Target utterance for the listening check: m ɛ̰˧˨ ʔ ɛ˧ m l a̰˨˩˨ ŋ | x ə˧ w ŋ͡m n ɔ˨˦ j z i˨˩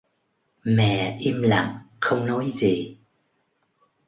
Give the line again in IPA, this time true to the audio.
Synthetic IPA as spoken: m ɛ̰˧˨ ʔ i˧ m l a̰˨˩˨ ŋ | x ə˧ w ŋ͡m n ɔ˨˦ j z i˨˩